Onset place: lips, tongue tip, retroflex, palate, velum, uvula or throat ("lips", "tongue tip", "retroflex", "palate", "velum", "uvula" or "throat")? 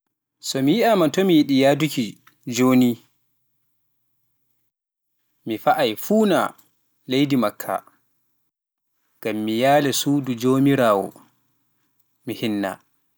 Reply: tongue tip